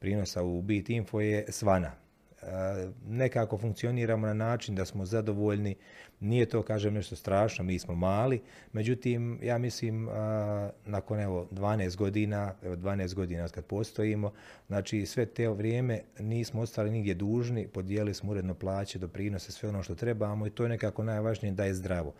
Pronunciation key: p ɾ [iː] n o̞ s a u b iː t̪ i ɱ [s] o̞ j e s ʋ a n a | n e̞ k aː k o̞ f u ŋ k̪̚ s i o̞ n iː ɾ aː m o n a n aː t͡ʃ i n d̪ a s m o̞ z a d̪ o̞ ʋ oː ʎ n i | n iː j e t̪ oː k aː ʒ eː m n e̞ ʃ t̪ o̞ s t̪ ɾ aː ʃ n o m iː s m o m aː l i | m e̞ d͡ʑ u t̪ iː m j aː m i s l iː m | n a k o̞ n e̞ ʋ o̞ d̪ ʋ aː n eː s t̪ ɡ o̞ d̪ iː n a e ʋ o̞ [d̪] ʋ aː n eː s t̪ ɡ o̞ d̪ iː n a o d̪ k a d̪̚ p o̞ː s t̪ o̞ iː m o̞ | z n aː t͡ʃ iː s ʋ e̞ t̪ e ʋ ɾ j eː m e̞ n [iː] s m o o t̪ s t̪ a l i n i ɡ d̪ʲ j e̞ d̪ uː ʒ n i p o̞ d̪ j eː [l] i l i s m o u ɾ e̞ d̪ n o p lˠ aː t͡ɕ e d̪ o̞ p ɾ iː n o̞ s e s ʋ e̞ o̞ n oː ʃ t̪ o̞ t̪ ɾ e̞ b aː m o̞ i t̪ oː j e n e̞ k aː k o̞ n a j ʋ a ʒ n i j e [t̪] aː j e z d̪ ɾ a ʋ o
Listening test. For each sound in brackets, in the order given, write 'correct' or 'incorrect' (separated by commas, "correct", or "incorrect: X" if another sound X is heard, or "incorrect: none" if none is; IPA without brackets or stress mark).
correct, incorrect: f, correct, correct, correct, incorrect: d̪